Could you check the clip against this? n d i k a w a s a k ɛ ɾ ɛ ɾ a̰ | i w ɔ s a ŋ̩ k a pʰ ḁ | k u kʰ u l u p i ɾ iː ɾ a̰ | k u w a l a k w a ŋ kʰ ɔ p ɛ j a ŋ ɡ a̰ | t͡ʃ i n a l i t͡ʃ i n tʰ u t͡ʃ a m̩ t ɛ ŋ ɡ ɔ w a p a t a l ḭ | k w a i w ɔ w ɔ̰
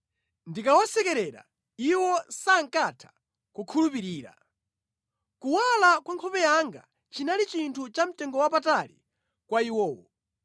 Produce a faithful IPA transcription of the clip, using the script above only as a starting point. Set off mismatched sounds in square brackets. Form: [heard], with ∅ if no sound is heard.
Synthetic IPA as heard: n d i k a w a s [ɛ] k ɛ ɾ ɛ ɾ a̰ | i w ɔ s a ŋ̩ k a [tʰ] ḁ | k u kʰ u l u p i ɾ iː ɾ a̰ | k u w a l a k w a ŋ kʰ ɔ p ɛ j a ŋ ɡ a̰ | t͡ʃ i n a l i t͡ʃ i n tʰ u t͡ʃ a m̩ t ɛ ŋ ɡ ɔ w a p a t a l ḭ | k w a i w [ɔː] w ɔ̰